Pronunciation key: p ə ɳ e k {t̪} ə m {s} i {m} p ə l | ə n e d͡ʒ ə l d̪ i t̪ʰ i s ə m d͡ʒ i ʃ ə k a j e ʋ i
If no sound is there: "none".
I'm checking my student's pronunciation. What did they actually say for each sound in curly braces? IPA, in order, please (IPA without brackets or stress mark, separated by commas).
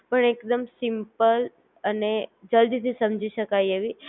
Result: d̪, s, m